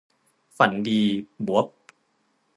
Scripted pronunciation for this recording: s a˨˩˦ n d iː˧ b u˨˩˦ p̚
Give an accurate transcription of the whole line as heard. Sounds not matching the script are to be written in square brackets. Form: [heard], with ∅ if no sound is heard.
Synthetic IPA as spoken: [f] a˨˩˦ n d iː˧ b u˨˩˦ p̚